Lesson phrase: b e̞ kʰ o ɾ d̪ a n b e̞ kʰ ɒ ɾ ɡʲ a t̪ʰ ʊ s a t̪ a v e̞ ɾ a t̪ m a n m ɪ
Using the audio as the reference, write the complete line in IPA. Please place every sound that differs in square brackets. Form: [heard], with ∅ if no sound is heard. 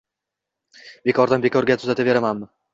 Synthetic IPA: b e̞ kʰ [ɒ] ɾ d̪ a n b e̞ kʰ ɒ ɾ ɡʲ a t̪ʰ ʊ [z] a t̪ a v e̞ ɾ a [∅] m a n m ɪ